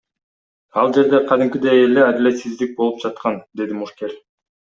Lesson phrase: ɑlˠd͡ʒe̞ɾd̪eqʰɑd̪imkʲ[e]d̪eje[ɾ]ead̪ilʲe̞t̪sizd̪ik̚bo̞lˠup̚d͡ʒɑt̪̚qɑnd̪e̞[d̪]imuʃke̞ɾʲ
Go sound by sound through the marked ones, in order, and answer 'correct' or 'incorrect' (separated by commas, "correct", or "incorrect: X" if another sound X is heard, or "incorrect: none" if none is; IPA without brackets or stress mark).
incorrect: i, incorrect: l, correct